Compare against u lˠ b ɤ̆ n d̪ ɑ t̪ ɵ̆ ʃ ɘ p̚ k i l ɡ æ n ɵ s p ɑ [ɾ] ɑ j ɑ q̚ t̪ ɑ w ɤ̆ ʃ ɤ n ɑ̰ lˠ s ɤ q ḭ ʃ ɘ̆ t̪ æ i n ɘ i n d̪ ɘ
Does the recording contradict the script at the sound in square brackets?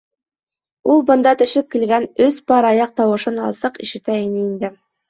no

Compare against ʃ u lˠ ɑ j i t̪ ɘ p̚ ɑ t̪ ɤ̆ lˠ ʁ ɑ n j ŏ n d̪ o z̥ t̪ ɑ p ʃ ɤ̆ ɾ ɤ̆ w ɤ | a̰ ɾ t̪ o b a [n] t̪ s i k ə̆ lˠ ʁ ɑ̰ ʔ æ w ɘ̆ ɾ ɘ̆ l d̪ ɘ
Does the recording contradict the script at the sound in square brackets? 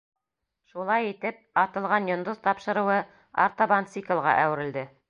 no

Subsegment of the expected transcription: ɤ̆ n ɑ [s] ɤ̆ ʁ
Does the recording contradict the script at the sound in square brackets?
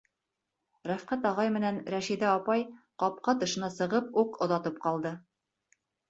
no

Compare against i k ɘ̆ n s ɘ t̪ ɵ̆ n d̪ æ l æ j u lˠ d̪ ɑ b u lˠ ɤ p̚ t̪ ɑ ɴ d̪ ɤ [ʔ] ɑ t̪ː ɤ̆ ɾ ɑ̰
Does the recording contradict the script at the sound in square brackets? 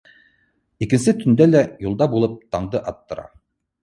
no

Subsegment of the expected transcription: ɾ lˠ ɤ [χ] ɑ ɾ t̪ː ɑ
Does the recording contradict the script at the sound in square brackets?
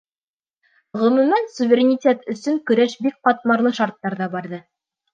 yes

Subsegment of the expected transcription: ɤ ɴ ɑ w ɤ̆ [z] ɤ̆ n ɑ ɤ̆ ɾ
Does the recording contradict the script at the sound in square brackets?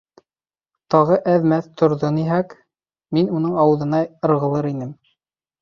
yes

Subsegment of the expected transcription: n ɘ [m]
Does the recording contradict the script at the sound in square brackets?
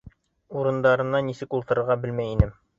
no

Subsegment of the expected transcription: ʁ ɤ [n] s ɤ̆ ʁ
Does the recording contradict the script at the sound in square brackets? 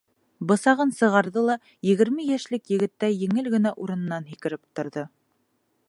no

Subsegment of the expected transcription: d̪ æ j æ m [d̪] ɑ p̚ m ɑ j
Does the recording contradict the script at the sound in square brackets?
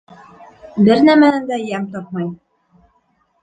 yes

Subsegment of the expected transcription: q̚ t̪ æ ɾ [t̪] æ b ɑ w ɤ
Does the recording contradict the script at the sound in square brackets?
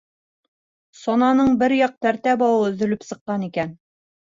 no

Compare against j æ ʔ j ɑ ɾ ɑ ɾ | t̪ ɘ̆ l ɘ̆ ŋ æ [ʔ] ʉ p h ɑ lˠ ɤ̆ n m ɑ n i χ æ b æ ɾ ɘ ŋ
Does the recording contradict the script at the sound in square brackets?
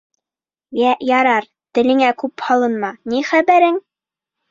yes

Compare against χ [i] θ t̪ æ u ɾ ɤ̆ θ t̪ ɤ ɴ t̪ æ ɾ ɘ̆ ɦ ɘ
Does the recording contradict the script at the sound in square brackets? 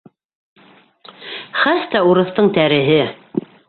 yes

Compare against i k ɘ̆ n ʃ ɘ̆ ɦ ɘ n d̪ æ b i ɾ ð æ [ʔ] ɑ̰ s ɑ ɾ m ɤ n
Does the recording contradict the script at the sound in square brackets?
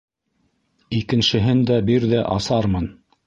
no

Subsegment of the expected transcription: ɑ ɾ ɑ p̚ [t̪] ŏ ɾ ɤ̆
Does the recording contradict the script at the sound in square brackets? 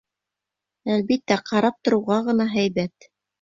no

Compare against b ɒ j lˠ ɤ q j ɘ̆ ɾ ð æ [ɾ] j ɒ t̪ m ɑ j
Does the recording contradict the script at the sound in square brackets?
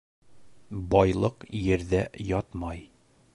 yes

